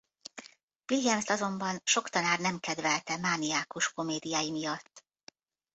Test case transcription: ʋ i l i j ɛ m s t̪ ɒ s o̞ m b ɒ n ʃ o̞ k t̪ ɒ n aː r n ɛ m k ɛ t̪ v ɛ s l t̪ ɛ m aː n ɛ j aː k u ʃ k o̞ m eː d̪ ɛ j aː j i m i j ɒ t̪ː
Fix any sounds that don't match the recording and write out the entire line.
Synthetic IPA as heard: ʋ i l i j ɛ m s t̪ ɒ z o̞ m b ɒ n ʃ o̞ k t̪ ɒ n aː r n ɛ m k ɛ d̪ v ɛ l t̪ ɛ m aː n i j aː k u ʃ k o̞ m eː d̪ i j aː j i m i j ɒ t̪ː